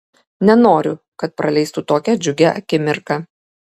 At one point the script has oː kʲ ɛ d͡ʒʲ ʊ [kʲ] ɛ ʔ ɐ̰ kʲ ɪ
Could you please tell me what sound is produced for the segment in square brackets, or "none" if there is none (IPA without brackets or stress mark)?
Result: ɡʲ